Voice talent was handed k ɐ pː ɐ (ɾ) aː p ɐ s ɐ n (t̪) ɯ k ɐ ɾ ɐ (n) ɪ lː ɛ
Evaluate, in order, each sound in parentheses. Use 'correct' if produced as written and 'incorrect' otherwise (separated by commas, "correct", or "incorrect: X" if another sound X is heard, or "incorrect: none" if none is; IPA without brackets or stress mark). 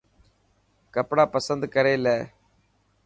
incorrect: ɽ, incorrect: d̪, incorrect: none